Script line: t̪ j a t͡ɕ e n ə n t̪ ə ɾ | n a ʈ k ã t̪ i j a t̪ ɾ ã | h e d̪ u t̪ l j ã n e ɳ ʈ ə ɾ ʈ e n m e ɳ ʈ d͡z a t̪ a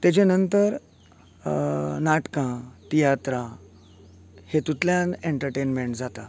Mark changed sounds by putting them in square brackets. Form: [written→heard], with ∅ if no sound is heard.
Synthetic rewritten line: t̪ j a t͡ɕ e n ə n t̪ ə ɾ | n a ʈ k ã t̪ i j a t̪ ɾ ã | h e [d̪→t̪] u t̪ l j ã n e ɳ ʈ ə ɾ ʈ e n m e ɳ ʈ d͡z a t̪ a